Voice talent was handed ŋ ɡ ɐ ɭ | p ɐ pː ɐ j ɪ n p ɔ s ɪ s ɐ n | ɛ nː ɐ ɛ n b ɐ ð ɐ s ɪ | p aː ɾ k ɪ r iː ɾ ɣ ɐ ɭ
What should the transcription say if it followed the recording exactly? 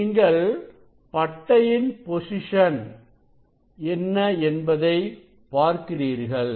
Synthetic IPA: ŋ ɡ ɐ ɭ | p ɐ ʈː ɐ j ɪ n p ɔ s ɪ ʂ ɐ n | ɛ nː ɐ ɛ n b ɐ ð ɐ ɪ | p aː ɾ k ɪ r iː ɾ ɣ ɐ ɭ